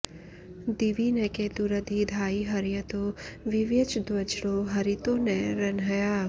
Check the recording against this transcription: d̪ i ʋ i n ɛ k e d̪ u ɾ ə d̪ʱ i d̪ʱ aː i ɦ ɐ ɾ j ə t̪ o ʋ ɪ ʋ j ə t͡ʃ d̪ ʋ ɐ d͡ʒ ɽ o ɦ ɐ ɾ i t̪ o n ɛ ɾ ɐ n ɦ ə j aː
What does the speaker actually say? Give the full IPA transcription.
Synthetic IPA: d̪ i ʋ i n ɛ k e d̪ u ɾ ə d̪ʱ i d̪ʱ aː i ɦ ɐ ɾ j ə t̪ o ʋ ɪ ʋ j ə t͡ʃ d̪ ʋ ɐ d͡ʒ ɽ o ɦ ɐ ɾ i t̪ o n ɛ ɾ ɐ n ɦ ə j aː